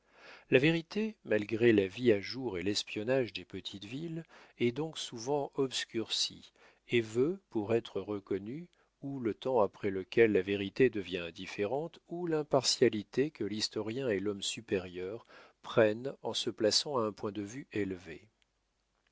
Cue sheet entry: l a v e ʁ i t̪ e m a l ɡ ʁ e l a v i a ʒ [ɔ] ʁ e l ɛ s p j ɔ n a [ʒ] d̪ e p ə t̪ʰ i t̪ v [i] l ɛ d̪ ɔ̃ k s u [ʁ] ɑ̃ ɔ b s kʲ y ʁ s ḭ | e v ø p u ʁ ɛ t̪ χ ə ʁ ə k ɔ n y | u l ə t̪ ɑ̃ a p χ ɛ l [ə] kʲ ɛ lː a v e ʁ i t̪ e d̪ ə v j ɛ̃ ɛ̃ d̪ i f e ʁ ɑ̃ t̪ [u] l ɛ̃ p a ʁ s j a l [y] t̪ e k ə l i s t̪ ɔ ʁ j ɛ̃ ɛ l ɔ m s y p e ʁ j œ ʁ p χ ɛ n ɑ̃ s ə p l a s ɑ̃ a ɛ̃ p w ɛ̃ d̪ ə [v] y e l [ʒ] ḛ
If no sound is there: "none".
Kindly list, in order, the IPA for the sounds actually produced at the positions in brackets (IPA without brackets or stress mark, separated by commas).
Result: u, ʒ, i, v, ə, u, i, v, v